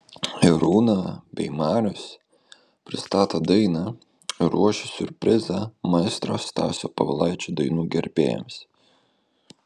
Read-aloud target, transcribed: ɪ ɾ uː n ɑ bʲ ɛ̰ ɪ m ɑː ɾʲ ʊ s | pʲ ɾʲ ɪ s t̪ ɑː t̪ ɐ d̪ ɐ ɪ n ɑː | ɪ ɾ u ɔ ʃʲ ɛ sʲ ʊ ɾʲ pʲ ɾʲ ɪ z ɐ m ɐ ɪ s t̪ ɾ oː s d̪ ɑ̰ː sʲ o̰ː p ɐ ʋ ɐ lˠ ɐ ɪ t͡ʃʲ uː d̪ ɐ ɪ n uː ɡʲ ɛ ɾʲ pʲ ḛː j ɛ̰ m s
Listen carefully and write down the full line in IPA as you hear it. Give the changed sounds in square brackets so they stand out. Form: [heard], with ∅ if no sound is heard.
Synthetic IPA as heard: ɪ ɾ uː n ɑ bʲ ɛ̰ ɪ m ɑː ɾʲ ʊ s | pʲ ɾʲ ɪ s t̪ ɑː t̪ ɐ d̪ ɐ ɪ n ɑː | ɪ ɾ u ɔ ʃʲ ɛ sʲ ʊ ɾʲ pʲ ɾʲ ɪ z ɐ m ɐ ɪ s t̪ ɾ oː s [t̪] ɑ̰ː sʲ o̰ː p ɐ ʋ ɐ lˠ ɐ ɪ t͡ʃʲ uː d̪ ɐ ɪ n uː ɡʲ ɛ ɾʲ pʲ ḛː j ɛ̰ m s